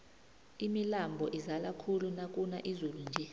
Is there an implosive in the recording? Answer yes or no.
no